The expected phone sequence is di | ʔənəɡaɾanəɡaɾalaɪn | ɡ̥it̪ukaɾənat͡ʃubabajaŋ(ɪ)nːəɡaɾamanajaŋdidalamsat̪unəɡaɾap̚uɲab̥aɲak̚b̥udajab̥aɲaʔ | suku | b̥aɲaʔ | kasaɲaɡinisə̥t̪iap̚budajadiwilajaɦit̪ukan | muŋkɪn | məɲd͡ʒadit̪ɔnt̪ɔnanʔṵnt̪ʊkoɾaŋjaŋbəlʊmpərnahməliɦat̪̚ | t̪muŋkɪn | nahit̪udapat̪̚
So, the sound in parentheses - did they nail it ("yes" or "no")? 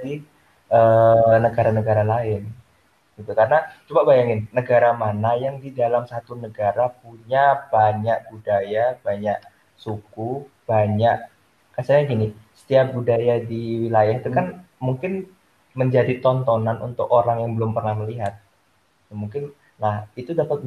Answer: yes